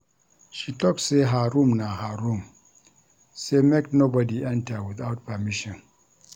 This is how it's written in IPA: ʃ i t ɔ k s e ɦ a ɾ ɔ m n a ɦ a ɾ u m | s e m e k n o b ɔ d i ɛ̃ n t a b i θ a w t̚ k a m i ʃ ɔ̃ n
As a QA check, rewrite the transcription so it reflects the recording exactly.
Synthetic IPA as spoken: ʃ i t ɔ k s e ɦ a ɾ u m n a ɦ a ɾ u m | s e m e k n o b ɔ d i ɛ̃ n t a w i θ a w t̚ p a m i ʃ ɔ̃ n

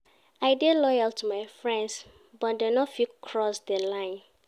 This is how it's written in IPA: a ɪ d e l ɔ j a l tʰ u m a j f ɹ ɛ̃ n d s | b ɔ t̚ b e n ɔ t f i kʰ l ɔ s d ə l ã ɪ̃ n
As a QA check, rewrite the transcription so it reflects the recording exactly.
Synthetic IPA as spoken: a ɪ d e l ɔ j a l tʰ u m a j f ɹ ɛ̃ n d s | b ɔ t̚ d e n ɔ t f i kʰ ɹ ɔ s d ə l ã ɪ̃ n

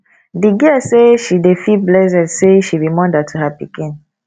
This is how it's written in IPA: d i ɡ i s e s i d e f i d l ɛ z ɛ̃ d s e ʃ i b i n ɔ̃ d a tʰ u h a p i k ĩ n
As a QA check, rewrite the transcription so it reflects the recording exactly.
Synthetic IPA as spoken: d i ɡ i s e ʃ i d e f i b l ɛ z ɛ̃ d s e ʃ i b i m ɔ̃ d a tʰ u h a p i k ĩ n

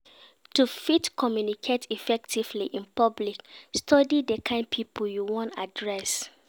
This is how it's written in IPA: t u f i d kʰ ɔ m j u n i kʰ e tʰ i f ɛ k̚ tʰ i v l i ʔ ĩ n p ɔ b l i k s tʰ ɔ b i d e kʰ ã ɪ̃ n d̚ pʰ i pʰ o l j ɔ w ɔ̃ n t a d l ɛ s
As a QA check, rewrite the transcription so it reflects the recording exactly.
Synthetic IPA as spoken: t u f i t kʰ ɔ m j u n i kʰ e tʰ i f ɛ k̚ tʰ i v l i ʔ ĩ n p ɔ b l i k s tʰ ɔ d i d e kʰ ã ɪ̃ n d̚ pʰ i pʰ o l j u w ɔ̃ n t a d ɹ ɛ s

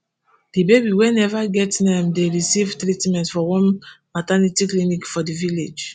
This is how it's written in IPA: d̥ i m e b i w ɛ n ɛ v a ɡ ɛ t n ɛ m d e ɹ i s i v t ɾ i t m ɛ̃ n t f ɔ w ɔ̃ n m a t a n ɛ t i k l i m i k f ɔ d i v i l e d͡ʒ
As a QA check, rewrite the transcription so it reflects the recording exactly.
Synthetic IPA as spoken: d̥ i b e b i w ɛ n ɛ v a ɡ ɛ t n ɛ m d e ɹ i s i v t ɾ i t m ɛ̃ n t f ɔ w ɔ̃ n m a t a n i t i k l i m i k f ɔ d i v i l e d͡ʒ

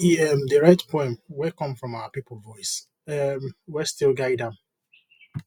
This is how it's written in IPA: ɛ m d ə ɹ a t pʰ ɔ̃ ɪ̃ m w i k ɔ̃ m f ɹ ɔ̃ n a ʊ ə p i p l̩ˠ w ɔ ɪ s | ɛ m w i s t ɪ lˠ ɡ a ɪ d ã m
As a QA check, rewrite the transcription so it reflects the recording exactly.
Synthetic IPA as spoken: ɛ m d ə ɹ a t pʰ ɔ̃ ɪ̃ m w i k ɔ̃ m f ɹ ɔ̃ m a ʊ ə p i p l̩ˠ v ɔ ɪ s | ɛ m w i s t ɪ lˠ ɡ a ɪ d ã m

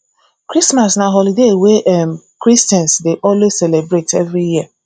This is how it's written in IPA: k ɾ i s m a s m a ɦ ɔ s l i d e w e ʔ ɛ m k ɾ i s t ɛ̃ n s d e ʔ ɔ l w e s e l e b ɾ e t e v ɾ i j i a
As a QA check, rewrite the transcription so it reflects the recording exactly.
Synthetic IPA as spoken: k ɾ i s m a s n a ɦ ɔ l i d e w e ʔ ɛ m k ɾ i s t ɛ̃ n s d e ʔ ɔ l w e s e l e b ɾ e t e v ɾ i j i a

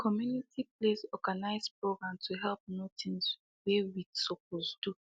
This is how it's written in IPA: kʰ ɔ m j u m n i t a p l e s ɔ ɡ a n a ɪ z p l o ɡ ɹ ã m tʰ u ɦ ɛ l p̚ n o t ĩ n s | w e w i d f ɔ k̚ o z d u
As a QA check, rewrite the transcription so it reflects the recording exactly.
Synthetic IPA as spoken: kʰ ɔ m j u n i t i p l e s ɔ ɡ a n a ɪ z p ɹ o ɡ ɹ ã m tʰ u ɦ ɛ l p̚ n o t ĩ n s | w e w i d s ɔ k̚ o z d u

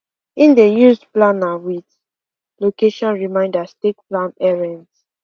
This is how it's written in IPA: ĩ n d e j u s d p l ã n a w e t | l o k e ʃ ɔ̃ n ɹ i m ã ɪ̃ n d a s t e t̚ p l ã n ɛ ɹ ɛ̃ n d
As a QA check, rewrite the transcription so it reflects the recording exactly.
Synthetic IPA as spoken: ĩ n d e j u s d p l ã n a w i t | l o k e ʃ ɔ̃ n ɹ i m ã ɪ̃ n d a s t e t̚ p l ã n ɛ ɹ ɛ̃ n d

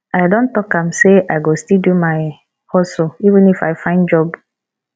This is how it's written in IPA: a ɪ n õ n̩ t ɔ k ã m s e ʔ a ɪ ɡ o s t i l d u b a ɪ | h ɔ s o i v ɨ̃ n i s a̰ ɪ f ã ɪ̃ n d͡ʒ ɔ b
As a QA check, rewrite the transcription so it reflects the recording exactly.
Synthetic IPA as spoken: a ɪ d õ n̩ t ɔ k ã m s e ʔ a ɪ ɡ o s t i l d u m a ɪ | h ɔ s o i v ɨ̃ n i f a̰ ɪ f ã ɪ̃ n d͡ʒ ɔ b

